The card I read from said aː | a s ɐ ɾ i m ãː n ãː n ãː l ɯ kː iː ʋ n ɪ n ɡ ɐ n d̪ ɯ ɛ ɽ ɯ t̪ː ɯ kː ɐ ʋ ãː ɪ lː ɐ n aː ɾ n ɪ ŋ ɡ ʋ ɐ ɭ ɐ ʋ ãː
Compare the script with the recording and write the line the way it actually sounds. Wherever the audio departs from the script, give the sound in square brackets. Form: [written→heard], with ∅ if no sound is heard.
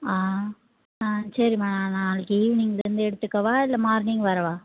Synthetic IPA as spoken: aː | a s ɐ ɾ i m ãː n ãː n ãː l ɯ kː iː ʋ n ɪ [n→ŋ] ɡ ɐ n d̪ ɯ ɛ ɽ ɯ t̪ː ɯ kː ɐ ʋ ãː ɪ lː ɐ [n→m] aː ɾ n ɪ ŋ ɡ ʋ ɐ [ɭ→ɾ] ɐ ʋ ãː